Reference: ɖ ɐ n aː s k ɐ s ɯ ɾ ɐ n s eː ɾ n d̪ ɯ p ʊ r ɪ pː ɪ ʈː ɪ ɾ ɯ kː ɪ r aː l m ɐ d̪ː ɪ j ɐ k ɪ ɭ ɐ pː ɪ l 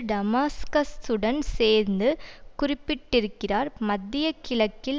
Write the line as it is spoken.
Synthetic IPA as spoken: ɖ ɐ m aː s k ɐ s ɯ ɽ ɐ n s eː ɾ n d̪ ɯ k ʊ r ɪ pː ɪ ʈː ɪ ɾ ɯ kː ɪ r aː ɾ m ɐ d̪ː ɪ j ɐ k ɪ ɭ ɐ kː ɪ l

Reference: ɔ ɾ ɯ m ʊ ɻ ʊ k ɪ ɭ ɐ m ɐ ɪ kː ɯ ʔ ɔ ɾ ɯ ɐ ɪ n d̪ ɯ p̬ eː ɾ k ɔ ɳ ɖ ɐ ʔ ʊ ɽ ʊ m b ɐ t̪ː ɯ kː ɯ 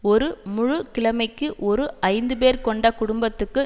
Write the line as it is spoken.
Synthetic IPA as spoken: ɔ ɾ ɯ m ʊ ɻ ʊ k ɪ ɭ ɐ m ɐ ɪ kː ɯ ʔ ɔ ɾ ɯ ɐ ɪ n d̪ ɯ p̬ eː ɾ k ɔ ɳ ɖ ɐ k ʊ ɽ ʊ m b ɐ t̪ː ɯ kː ɯ

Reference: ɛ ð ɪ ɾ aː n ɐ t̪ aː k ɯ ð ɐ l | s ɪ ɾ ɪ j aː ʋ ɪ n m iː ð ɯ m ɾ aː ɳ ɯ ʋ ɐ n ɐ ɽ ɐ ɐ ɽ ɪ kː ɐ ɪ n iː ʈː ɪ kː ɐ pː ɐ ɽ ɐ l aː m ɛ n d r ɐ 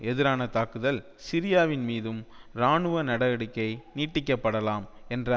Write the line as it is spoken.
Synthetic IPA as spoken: ɛ ð ɪ ɾ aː n ɐ t̪ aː k ɯ ð ɐ l | s ɪ ɾ ɪ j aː ʋ ɪ n m iː ð ɯ m ɾ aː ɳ ɯ ʋ ɐ n ɐ ɽ ɐ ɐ ɽ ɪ kː ɐ ɪ n iː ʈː ɪ kː ɐ pː ɐ ɽ ɐ l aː m ɛ n d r ɐ

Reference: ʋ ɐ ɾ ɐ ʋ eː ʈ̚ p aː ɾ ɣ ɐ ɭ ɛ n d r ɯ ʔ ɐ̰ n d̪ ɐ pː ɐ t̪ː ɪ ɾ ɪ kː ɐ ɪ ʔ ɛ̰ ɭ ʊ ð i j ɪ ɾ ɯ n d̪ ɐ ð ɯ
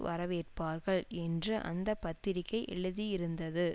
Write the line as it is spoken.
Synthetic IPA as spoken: ʋ ɐ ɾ ɐ ʋ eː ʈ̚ p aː ɾ ɣ ɐ ɭ ɛ n d r ɯ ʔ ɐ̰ n d̪ ɐ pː ɐ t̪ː ɪ ɾ ɪ kː ɐ ɪ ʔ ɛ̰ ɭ ɯ ð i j ɪ ɾ ɯ n d̪ ɐ ð ɯ

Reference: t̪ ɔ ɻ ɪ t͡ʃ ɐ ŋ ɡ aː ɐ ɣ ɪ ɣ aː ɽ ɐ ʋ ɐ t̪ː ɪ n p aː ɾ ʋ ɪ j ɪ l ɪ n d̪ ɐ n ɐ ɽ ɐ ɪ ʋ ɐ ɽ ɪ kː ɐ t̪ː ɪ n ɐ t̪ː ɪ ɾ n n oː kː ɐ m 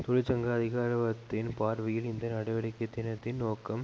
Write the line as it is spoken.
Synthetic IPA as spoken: t̪ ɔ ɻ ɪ t͡ʃ ɐ ŋ ɡ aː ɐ ð ɪ ɣ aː ɾ ɐ ʋ ɐ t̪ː ɪ n p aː ɾ ʋ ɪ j ɪ l ɪ n d̪ ɐ n ɐ ɽ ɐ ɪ ʋ ɐ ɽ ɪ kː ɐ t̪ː ɪ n ɐ t̪ː ɪ n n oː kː ɐ m

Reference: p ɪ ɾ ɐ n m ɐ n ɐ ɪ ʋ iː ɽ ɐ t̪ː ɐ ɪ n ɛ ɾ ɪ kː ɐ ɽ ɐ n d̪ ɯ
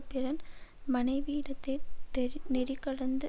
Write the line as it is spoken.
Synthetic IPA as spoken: p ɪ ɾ ɐ n m ɐ n ɐ ɪ ʋ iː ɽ ɐ t̪ː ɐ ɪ n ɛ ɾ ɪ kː ɐ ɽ ɐ n d̪ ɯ

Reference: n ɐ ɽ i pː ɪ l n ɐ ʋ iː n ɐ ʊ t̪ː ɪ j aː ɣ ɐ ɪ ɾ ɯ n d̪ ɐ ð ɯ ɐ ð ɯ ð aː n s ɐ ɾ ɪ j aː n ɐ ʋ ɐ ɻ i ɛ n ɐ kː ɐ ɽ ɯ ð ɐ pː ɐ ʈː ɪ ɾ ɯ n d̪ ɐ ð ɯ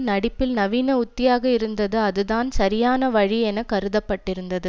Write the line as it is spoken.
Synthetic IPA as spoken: n ɐ ɽ ɪ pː ɪ l n ɐ ʋ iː n ɐ ʊ t̪ː ɪ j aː ɣ ɐ ɪ ɾ ɯ n d̪ ɐ ð ɯ ɐ ð ɯ ð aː n s ɐ ɾ ɪ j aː n ɐ ʋ ɐ ɻ i ɛ n ɐ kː ɐ ɾ ɯ ð ɐ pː ɐ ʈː ɪ ɾ ɯ n d̪ ɐ ð ɯ

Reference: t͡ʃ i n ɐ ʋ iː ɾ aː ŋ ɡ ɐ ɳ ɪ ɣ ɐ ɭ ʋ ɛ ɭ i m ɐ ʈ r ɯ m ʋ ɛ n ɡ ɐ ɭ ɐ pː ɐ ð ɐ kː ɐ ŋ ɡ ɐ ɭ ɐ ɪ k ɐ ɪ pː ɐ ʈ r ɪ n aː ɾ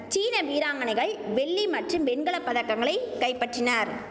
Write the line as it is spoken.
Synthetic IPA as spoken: t͡ʃ iː n ɐ ʋ iː ɾ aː ŋ ɡ ɐ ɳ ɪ ɣ ɐ ɭ ʋ ɛ ɭː i m ɐ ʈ r ɯ m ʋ ɛ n ɡ ɐ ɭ ɐ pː ɐ ð ɐ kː ɐ ŋ ɡ ɐ ɭ ɐ ɪ k ɐ ɪ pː ɐ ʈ r ɪ n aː ɾ

